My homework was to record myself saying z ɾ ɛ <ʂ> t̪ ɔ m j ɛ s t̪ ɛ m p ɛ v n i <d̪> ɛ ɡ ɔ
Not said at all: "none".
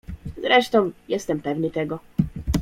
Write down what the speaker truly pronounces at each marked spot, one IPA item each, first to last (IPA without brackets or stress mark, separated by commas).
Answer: ʂ, t̪